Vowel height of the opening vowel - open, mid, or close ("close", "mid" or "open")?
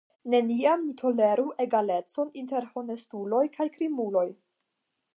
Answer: mid